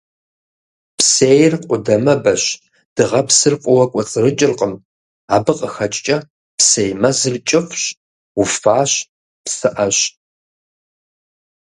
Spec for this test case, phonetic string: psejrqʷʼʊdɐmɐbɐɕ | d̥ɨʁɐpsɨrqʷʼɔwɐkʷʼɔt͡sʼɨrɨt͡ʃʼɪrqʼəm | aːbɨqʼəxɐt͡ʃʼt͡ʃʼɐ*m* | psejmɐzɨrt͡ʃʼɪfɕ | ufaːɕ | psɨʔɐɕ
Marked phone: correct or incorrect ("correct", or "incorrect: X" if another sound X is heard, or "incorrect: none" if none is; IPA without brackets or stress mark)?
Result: incorrect: none